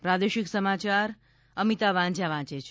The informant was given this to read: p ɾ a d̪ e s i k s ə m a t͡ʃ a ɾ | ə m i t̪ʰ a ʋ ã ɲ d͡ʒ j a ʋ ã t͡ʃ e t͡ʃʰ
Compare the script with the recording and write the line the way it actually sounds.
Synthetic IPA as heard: p ɾ a d̪ e ʃ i k s ə m a t͡ʃ a ɾ | ə m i t̪ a ʋ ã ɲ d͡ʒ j a ʋ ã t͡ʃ e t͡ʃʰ